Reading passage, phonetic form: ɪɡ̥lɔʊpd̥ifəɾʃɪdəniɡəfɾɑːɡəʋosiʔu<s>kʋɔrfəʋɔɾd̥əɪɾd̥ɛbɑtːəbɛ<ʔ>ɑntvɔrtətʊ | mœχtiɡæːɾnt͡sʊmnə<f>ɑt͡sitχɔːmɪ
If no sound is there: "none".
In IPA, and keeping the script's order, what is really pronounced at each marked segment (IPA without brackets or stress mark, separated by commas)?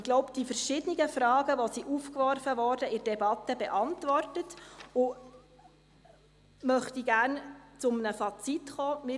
f, ʔ, f